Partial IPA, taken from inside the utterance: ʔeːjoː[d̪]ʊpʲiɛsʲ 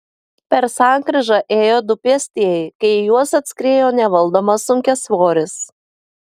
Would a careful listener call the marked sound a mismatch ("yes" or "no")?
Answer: no